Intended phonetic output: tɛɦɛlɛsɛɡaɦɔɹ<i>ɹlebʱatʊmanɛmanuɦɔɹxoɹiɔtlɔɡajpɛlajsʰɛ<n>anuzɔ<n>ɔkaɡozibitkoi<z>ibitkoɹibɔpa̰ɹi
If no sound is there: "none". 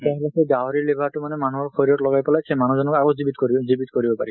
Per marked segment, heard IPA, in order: i, m, n, z

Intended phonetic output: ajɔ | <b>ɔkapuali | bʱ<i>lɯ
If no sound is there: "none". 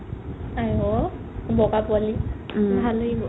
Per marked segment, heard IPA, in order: b, a

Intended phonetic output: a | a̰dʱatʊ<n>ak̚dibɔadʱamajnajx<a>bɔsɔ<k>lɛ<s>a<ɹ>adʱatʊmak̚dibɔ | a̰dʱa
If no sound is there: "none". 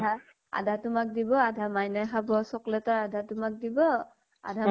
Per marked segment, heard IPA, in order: m, a, k, t, ɹ

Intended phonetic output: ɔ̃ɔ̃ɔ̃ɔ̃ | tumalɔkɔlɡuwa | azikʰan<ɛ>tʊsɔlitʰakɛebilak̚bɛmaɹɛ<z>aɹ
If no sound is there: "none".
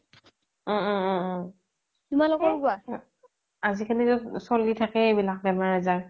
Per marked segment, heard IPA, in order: i, z

